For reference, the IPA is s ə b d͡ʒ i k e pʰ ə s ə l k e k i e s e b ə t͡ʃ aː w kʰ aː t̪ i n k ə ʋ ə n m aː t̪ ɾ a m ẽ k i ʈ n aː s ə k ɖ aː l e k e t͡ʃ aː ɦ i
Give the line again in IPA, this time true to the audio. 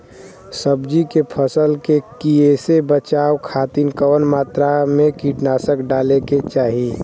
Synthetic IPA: s ə b d͡ʒ i k e pʰ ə s ə l k e k i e s e b ə t͡ʃ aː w kʰ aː t̪ i n k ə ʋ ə n m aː t̪ ɾ a m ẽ k i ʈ n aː s ə k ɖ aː l e k e t͡ʃ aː ɦ i